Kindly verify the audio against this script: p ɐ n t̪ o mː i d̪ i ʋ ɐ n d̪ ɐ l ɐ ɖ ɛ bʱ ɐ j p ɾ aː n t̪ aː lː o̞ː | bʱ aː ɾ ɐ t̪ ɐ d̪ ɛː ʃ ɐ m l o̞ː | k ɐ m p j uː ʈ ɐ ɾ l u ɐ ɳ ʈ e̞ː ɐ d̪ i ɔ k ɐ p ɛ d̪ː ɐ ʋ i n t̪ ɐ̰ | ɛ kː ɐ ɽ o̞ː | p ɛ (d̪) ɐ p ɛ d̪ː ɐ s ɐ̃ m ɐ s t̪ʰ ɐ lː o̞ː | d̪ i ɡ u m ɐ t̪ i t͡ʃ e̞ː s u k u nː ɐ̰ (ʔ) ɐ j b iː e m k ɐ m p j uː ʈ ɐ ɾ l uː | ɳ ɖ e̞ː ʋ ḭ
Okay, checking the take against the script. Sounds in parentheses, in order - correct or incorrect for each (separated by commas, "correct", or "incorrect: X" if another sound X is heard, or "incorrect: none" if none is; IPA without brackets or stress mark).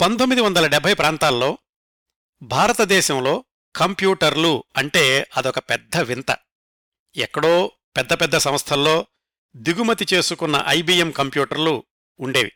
incorrect: d̪ː, correct